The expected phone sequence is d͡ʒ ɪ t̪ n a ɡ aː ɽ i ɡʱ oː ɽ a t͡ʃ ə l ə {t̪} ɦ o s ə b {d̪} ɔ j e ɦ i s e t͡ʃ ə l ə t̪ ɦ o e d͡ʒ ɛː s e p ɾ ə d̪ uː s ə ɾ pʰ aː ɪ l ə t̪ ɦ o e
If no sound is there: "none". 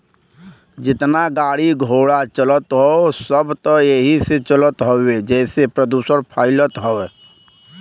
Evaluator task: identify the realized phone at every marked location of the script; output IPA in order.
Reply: t̪, t̪

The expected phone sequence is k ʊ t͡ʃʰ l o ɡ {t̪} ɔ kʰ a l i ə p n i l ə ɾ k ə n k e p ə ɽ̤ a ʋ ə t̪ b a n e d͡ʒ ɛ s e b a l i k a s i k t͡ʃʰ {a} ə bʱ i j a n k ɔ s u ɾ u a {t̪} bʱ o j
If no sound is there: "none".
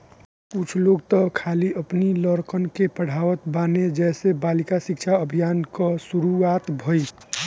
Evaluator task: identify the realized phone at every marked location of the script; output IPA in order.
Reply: t̪, a, t̪

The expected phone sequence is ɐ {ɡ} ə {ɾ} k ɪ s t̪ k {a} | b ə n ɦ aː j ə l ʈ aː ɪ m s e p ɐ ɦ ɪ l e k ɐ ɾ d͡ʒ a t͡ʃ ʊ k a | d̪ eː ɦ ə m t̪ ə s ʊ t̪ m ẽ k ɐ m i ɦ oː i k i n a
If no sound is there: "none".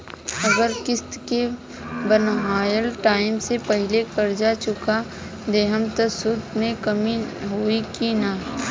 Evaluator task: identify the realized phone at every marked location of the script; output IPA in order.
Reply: ɡ, ɾ, e

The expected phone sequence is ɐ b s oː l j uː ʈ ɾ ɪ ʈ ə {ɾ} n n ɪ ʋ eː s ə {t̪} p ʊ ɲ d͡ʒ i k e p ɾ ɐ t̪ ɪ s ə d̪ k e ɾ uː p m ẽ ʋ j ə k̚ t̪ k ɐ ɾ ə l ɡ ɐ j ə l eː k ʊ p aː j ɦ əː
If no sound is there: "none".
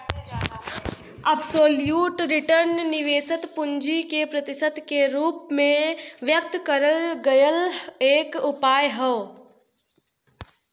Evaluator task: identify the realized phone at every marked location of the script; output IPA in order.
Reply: ɾ, t̪

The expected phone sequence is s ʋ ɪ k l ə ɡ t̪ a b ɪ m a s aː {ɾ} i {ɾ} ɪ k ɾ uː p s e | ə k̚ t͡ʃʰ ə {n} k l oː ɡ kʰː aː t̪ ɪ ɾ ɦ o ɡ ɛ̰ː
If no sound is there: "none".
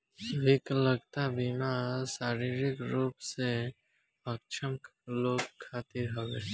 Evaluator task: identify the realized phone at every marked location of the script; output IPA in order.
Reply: ɾ, ɾ, m

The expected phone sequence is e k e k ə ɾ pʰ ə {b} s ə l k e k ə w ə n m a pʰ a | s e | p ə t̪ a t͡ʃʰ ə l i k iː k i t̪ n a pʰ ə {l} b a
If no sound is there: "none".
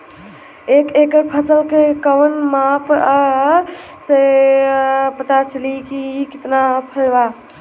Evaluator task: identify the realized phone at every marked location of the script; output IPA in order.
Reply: none, l

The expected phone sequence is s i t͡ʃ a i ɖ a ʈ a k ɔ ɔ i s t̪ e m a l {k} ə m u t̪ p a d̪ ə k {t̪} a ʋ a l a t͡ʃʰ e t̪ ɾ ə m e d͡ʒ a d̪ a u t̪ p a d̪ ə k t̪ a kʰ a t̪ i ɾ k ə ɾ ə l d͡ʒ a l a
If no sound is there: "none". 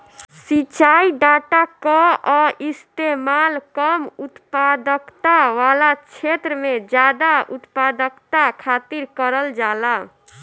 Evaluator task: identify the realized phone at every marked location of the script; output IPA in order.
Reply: k, t̪

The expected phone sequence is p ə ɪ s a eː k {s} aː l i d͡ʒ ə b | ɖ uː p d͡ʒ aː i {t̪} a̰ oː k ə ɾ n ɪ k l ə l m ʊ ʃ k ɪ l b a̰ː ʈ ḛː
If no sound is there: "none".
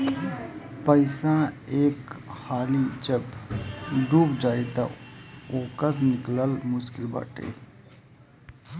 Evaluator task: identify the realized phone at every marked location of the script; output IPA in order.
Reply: h, t̪

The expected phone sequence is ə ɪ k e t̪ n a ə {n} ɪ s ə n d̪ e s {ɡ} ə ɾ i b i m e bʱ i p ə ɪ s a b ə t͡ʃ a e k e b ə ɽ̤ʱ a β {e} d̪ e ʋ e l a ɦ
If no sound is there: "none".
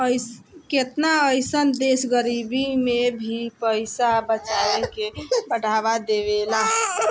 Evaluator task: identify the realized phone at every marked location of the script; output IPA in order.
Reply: none, ɡ, a

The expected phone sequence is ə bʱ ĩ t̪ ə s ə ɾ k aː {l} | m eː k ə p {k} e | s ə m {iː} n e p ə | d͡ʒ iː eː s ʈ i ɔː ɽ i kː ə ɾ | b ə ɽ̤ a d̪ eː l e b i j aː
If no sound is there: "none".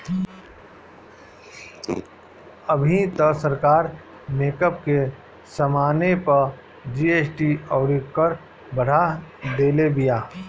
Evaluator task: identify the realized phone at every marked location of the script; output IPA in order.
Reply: ɾ, k, aː

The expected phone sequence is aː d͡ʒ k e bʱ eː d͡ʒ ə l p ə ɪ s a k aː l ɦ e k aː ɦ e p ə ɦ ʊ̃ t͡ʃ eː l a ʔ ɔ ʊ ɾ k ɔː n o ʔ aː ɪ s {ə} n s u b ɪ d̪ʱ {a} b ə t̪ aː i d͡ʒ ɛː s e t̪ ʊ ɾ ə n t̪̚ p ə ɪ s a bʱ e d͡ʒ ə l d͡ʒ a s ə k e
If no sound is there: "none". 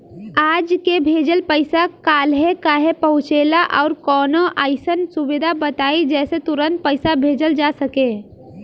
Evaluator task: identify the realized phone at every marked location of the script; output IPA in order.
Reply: ə, a

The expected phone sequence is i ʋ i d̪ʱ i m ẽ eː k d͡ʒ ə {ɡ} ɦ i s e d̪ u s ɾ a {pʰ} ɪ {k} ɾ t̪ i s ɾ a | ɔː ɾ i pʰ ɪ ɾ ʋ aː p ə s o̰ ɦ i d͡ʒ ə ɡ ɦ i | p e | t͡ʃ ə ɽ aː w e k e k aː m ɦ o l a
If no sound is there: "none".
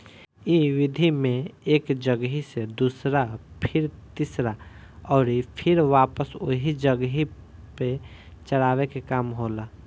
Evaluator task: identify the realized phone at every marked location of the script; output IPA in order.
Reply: ɡ, pʰ, none

